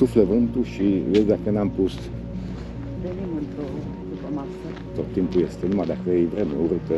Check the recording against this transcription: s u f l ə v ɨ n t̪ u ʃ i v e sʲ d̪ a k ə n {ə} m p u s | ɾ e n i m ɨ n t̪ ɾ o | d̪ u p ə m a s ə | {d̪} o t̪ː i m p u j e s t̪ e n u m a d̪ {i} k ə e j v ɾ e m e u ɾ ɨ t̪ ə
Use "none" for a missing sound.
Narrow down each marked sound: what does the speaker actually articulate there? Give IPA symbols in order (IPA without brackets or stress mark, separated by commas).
a, t̪, a